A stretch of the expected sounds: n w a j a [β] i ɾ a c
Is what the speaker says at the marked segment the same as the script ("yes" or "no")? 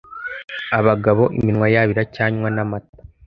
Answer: yes